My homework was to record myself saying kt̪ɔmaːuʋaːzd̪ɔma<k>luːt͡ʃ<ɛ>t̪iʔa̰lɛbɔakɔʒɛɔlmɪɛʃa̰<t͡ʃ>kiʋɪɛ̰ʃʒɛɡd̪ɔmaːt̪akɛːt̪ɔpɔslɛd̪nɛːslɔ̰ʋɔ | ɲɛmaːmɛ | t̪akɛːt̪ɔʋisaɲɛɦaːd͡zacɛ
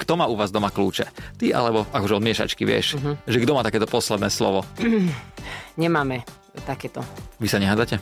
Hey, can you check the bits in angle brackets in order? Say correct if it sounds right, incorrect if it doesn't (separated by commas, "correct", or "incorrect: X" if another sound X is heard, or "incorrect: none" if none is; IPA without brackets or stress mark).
correct, correct, correct